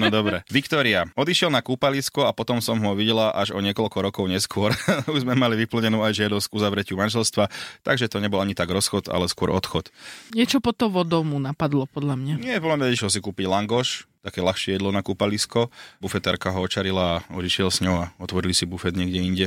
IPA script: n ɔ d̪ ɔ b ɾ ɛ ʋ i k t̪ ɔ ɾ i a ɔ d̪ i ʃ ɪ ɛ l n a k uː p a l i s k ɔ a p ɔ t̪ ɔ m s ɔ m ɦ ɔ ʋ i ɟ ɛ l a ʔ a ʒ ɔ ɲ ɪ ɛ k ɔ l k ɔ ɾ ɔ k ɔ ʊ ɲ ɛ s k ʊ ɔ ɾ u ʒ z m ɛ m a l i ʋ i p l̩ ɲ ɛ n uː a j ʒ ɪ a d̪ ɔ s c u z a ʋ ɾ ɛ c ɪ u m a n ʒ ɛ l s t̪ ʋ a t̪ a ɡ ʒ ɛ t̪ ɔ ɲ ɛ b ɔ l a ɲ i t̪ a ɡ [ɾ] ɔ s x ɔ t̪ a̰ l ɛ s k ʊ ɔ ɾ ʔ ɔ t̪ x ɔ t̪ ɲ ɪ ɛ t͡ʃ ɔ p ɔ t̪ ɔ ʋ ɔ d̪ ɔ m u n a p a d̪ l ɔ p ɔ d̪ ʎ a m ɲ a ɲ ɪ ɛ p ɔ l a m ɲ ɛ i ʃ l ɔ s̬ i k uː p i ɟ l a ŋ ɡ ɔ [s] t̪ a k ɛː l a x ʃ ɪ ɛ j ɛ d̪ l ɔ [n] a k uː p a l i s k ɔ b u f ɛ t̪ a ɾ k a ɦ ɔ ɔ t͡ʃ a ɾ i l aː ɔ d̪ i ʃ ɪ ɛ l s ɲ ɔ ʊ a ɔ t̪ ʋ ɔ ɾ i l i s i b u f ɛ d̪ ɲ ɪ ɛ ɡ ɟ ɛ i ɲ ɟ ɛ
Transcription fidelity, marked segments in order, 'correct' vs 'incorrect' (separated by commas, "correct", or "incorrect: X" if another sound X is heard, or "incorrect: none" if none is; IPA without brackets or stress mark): correct, incorrect: ʃ, correct